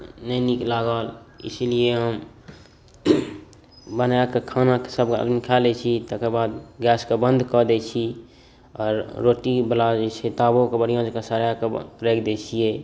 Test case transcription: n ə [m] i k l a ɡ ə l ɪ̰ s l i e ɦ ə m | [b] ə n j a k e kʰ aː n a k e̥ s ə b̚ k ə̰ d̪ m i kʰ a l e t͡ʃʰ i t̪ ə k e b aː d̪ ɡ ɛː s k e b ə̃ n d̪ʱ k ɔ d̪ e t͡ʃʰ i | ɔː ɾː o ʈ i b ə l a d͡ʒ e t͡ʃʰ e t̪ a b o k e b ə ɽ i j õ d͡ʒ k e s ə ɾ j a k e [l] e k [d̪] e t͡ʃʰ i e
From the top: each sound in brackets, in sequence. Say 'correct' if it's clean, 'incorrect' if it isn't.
incorrect: n, correct, incorrect: ɾ, correct

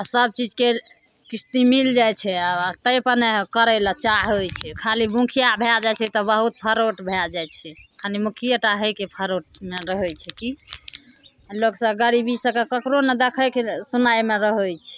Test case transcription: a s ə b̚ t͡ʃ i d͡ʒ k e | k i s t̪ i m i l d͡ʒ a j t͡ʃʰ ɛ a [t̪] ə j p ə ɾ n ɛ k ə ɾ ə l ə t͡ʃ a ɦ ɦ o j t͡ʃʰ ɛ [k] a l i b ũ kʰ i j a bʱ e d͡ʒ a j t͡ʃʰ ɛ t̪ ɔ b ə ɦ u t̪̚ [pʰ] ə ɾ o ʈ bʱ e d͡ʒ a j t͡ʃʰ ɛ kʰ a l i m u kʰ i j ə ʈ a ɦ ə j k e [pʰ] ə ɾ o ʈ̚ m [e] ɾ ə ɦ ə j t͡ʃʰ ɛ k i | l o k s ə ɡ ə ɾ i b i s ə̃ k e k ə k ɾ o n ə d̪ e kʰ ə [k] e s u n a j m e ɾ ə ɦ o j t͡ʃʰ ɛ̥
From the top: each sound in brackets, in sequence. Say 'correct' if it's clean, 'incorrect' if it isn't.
correct, incorrect: kʰ, correct, correct, correct, correct

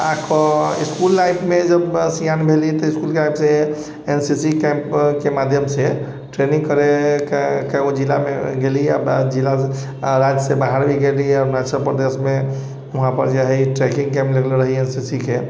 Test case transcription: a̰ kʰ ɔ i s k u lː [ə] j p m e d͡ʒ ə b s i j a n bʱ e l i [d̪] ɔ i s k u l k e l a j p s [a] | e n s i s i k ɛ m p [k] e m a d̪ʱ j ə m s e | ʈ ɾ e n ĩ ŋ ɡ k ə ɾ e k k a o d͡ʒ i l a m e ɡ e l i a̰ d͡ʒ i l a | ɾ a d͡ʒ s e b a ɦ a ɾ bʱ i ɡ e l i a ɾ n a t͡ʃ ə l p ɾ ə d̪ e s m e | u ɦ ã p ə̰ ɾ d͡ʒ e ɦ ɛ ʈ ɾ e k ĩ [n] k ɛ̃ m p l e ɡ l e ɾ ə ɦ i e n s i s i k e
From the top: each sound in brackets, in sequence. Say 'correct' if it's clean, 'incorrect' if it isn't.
incorrect: a, incorrect: t̪, incorrect: e, correct, incorrect: ŋ

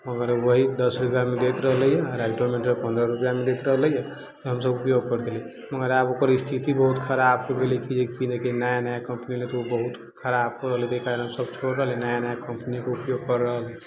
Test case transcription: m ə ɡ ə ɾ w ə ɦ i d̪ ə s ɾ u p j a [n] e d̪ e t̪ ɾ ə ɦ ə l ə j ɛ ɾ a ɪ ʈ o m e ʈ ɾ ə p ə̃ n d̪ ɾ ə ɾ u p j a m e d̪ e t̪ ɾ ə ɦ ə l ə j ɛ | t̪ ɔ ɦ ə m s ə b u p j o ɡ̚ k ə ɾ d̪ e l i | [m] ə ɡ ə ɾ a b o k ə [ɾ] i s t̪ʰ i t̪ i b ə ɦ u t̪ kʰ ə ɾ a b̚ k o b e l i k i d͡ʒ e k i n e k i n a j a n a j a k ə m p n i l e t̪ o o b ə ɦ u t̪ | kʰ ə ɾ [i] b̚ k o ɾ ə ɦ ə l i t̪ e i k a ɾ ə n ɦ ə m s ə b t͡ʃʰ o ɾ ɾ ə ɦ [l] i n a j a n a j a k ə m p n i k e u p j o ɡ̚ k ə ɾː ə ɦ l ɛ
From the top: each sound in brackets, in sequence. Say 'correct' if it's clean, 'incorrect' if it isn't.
incorrect: m, correct, correct, incorrect: a, correct

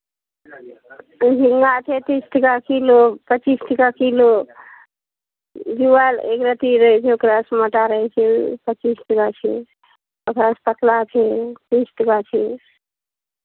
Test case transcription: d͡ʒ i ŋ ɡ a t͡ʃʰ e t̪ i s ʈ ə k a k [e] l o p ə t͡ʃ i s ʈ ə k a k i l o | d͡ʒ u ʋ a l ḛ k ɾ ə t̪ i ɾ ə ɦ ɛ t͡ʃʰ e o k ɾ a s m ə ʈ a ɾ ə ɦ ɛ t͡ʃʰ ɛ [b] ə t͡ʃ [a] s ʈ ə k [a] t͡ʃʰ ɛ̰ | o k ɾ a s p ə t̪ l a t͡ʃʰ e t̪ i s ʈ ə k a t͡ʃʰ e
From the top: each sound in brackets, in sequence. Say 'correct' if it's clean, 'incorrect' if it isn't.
incorrect: i, incorrect: p, incorrect: i, correct

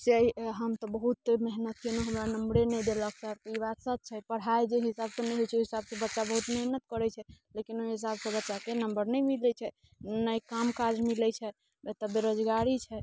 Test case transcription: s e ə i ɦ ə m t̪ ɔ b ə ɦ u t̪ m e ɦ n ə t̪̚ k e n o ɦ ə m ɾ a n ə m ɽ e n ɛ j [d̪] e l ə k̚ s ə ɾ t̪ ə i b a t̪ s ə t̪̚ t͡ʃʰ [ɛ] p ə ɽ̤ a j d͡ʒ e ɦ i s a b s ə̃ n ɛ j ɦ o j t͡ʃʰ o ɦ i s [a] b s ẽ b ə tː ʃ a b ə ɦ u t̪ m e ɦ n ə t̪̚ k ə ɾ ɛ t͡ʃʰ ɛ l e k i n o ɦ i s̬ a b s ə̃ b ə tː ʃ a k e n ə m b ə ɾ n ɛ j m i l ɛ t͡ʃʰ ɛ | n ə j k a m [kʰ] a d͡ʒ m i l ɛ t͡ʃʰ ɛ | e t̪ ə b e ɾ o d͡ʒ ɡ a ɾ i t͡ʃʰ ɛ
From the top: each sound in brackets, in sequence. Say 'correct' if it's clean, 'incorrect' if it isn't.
correct, correct, correct, incorrect: k

